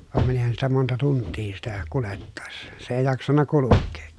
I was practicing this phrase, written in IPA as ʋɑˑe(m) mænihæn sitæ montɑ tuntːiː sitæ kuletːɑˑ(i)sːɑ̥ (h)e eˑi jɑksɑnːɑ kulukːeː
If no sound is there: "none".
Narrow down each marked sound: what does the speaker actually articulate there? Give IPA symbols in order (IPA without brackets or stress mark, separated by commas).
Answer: m, e, s